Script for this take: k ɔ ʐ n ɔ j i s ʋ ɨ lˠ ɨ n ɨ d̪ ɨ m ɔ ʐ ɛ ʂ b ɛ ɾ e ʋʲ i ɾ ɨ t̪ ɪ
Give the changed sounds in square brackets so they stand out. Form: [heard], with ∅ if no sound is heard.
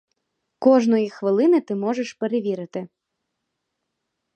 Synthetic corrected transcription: k ɔ ʐ n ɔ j i [x] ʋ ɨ lˠ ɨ n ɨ [t̪] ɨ m ɔ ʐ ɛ ʂ [p] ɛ ɾ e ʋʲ i ɾ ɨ t̪ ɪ